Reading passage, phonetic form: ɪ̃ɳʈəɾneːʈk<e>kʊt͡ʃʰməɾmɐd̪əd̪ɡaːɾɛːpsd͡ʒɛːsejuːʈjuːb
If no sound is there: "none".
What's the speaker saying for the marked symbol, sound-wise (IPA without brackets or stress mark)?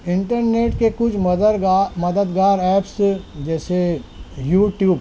e